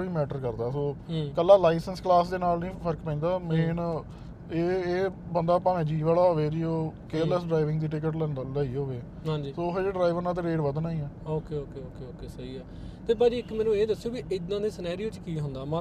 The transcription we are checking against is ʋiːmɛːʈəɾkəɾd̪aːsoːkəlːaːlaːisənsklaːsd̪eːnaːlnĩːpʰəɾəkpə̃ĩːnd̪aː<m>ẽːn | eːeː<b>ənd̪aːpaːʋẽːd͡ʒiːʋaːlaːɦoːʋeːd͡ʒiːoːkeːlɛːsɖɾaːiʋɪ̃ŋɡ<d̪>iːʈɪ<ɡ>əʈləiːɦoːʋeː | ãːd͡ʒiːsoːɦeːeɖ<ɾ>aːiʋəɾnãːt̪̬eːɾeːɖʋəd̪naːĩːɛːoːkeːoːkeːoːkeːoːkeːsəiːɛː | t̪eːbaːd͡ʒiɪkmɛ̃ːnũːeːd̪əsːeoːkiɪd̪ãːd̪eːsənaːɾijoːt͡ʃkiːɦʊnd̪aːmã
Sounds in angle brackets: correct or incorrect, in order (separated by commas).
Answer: correct, correct, correct, incorrect, correct